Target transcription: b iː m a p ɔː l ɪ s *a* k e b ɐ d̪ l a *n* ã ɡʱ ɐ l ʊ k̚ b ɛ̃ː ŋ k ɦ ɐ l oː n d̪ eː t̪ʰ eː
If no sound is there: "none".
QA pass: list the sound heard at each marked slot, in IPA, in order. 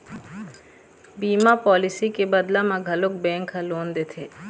i, m

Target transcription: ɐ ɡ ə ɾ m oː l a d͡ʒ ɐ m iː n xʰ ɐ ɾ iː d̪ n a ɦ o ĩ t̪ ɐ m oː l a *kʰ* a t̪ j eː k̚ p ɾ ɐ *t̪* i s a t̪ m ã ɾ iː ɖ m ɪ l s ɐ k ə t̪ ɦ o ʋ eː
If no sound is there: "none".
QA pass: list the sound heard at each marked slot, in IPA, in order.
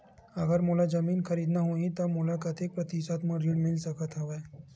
k, t̪

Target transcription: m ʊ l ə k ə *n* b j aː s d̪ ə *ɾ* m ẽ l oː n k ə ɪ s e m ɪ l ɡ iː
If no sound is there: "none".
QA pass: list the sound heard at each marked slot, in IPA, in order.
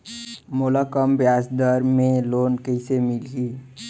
m, ɾ

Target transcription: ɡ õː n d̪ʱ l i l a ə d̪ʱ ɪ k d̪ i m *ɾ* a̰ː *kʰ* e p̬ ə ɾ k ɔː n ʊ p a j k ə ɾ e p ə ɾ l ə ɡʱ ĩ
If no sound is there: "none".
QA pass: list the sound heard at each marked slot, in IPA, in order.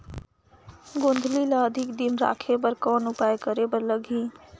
ɾ, kʰ

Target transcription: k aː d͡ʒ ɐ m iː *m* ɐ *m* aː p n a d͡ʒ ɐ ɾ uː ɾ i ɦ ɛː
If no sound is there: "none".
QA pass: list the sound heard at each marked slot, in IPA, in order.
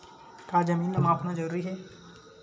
n, m

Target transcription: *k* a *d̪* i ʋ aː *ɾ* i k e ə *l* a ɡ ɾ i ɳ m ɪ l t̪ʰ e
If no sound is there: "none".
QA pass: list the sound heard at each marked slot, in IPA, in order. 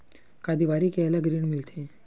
k, d̪, ɾ, l

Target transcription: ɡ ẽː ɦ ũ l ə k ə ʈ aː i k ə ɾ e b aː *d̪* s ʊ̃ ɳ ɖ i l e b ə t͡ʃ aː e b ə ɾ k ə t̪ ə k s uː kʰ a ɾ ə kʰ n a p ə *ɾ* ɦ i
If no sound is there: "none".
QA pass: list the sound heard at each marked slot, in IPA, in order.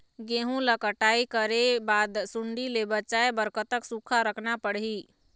d̪, ɽ

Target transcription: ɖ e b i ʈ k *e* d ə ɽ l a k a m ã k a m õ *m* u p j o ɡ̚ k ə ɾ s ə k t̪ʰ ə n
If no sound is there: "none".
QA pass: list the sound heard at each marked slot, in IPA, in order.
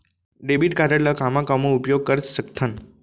a, none

